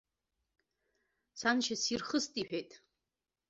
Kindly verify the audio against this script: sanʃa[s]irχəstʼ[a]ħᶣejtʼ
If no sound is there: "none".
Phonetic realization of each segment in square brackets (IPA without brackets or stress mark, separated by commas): s, i